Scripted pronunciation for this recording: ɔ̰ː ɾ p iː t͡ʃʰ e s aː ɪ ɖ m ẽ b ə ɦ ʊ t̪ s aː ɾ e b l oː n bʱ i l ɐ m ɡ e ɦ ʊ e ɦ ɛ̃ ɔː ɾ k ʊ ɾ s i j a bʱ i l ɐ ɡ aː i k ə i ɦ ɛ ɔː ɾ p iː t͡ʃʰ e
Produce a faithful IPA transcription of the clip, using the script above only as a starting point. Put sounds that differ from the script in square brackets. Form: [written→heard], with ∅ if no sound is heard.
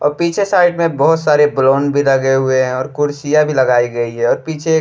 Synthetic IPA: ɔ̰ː ɾ p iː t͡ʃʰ e s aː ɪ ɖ m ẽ b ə ɦ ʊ t̪ s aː ɾ e b l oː n bʱ i l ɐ [m→∅] ɡ e ɦ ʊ e ɦ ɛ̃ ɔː ɾ k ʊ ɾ s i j a bʱ i l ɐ ɡ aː i [k→ɡ] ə i ɦ ɛ ɔː ɾ p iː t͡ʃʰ e